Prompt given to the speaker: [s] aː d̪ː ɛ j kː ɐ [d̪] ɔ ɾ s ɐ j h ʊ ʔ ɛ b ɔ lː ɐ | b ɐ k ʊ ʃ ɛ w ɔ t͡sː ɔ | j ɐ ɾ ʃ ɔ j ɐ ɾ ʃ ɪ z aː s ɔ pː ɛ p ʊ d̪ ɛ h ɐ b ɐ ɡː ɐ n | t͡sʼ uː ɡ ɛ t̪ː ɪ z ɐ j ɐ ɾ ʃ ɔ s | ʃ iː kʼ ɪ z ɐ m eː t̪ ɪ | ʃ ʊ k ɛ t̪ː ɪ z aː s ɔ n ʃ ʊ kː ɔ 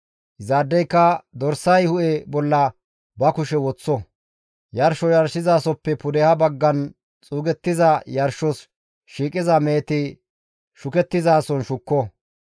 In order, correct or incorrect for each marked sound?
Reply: incorrect, correct

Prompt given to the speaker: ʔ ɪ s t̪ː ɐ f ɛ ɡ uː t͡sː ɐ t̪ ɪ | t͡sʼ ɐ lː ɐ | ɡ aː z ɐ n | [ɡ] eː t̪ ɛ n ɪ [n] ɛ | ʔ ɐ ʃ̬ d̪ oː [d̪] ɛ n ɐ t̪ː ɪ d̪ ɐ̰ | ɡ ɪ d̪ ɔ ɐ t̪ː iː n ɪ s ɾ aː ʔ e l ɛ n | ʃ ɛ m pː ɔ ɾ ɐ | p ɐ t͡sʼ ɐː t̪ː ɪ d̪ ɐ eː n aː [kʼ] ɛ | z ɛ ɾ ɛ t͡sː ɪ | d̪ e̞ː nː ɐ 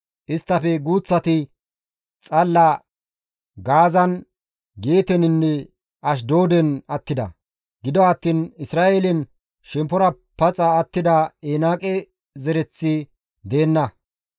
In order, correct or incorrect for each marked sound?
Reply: correct, incorrect, correct, correct

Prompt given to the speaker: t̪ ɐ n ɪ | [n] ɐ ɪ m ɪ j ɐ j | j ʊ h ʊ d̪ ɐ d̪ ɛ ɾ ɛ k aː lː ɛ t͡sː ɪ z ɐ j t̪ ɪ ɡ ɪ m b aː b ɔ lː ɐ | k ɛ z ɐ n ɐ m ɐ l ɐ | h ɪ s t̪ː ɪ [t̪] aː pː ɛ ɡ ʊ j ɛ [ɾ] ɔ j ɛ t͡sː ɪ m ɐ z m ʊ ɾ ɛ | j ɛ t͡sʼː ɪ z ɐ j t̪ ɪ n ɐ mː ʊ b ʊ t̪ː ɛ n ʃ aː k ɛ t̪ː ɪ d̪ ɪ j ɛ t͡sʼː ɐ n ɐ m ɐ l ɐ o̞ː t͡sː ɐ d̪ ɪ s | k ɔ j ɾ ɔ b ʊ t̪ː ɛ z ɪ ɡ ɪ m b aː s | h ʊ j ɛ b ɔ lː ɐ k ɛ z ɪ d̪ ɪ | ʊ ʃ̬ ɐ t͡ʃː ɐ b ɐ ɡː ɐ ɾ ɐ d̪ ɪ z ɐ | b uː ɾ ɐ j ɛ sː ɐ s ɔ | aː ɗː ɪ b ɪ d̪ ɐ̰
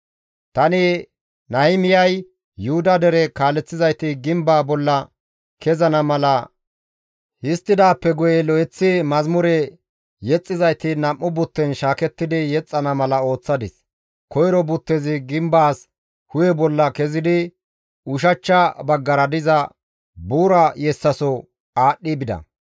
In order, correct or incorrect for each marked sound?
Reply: correct, incorrect, incorrect

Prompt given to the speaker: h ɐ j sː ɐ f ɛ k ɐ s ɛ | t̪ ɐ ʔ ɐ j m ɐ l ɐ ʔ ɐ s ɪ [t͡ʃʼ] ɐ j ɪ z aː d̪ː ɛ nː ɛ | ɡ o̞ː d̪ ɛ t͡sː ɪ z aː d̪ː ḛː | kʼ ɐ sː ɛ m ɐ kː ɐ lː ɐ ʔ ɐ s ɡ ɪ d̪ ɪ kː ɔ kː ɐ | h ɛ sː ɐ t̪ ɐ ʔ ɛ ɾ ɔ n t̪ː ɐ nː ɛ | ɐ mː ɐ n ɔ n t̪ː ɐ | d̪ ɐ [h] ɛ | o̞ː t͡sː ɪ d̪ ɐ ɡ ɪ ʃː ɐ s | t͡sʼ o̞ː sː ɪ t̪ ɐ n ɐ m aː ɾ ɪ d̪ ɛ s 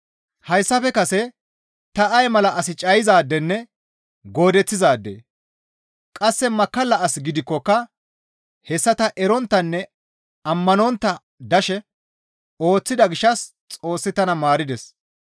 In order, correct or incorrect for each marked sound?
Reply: correct, incorrect

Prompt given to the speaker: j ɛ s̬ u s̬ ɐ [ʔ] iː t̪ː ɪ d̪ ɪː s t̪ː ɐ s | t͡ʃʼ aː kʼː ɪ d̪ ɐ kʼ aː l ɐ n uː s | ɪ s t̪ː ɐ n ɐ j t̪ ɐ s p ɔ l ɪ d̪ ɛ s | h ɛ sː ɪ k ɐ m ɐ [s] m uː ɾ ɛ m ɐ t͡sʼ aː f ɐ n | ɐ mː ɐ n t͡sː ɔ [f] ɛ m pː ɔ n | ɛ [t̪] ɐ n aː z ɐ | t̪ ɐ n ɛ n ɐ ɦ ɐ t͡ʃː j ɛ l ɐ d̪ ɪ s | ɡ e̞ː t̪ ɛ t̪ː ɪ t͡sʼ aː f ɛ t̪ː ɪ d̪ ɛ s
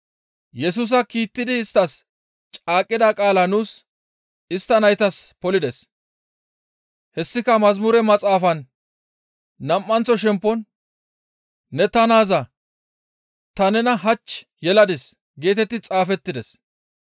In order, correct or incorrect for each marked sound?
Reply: incorrect, incorrect, incorrect, correct

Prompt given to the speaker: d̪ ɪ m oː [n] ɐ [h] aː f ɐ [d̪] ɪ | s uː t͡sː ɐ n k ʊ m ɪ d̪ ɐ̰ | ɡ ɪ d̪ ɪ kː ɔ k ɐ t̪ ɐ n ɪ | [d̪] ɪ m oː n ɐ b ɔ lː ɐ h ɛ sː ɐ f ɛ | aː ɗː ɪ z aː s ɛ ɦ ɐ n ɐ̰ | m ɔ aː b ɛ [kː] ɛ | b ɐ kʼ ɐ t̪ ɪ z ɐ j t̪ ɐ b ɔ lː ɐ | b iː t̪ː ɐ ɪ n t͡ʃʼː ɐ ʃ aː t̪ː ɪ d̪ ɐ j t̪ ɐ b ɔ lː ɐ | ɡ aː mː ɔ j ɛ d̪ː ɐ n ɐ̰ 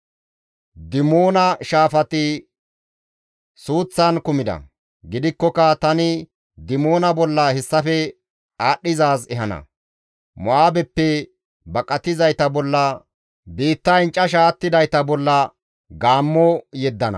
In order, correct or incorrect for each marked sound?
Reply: correct, incorrect, incorrect, correct, incorrect

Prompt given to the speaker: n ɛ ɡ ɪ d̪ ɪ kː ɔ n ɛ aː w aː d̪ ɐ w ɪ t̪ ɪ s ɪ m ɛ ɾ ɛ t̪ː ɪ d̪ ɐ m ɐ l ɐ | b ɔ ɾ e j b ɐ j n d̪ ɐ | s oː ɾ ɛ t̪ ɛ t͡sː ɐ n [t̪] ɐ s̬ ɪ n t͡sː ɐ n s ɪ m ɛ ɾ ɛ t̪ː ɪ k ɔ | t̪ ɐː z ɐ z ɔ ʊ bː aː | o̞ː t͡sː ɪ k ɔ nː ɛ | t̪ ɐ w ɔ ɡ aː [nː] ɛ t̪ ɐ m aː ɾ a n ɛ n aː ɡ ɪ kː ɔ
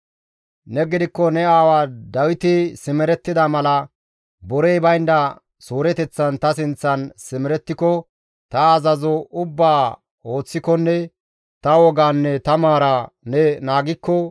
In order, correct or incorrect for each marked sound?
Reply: correct, correct

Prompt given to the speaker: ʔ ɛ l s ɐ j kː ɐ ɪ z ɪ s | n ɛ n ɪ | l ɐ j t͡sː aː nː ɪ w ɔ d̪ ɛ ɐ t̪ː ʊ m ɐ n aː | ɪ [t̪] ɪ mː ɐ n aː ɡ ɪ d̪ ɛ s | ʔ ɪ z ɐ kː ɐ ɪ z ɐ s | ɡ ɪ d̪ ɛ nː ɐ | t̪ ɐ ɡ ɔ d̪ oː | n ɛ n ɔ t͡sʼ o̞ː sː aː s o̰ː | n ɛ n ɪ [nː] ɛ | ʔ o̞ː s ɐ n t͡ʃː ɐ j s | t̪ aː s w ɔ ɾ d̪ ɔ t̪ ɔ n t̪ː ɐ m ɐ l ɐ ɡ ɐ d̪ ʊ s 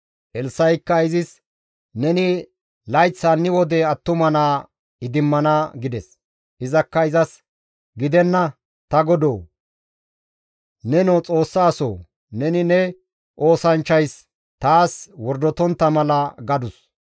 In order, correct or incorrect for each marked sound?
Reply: incorrect, incorrect

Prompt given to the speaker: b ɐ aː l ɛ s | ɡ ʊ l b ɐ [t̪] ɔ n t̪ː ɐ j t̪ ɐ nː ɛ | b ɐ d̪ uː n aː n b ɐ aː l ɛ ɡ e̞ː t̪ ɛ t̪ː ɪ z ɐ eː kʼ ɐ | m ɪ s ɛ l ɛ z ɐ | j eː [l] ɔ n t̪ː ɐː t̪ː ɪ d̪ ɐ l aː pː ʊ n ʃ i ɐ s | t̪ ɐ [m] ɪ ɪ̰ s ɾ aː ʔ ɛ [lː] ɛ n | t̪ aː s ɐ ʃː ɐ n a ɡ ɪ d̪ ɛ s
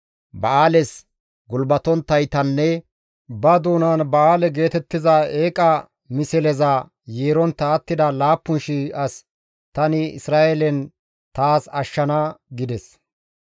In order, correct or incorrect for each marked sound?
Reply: correct, incorrect, incorrect, incorrect

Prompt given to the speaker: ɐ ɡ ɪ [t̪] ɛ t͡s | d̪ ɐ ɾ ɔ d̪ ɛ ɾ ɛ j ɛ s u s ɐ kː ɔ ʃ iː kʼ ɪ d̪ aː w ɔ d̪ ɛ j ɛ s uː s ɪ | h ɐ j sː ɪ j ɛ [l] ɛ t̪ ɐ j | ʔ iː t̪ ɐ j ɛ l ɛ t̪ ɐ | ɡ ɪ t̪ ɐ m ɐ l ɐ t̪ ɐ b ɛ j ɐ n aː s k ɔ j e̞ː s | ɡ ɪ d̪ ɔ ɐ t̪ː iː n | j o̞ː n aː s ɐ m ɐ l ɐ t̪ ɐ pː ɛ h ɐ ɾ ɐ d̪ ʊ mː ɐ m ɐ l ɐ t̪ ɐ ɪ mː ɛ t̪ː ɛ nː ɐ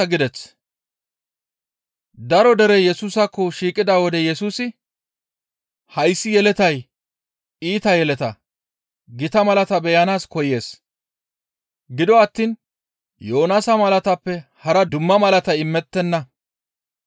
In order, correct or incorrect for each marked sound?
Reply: incorrect, correct

